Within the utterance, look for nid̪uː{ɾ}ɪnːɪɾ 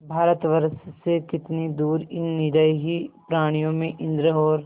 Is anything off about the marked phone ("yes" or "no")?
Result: no